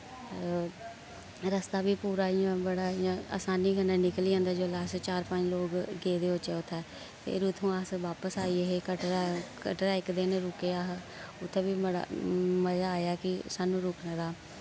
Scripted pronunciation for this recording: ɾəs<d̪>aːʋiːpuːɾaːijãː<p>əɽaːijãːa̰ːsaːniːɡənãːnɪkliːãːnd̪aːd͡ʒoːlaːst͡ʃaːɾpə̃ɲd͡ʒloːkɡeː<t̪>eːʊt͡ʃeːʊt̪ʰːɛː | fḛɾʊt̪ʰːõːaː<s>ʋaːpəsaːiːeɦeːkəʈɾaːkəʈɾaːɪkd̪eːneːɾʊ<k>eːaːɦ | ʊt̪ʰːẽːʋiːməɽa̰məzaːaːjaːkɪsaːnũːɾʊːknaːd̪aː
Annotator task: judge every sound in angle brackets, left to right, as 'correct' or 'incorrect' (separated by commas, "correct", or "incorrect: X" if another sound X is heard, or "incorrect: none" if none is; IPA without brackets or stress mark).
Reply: incorrect: t̪, incorrect: b, incorrect: d̪, correct, correct